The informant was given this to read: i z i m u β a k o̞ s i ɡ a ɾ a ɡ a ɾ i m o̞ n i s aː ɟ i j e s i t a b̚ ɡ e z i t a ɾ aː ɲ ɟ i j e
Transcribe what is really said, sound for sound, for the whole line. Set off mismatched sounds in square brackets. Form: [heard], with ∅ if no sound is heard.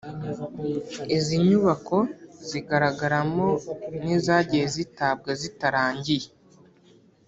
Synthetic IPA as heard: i z i [ɲ] u β a k o̞ [z] i ɡ a ɾ a ɡ a ɾ [a] m o̞ n i [z] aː ɟ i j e [z] i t a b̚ ɡ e z i t a ɾ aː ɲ ɟ i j e